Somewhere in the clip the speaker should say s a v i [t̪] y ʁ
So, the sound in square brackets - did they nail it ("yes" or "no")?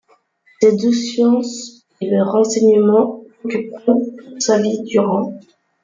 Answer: no